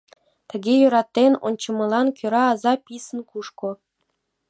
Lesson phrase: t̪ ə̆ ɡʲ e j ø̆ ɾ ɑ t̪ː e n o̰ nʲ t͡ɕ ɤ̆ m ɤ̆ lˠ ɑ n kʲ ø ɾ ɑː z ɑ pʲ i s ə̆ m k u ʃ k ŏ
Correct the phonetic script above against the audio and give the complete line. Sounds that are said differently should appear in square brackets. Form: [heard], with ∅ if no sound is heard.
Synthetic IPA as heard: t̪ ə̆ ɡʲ e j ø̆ ɾ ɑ t̪ː e n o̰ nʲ t͡ɕ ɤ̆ m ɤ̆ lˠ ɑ n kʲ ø ɾ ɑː z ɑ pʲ i s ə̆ [n] k u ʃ k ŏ